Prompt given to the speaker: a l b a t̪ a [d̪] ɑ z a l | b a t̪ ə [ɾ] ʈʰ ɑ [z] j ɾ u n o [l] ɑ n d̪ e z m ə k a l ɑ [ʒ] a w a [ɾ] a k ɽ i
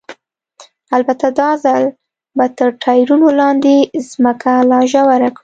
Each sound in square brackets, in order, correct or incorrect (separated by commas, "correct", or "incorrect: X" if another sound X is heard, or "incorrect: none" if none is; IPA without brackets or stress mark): correct, correct, incorrect: none, correct, correct, correct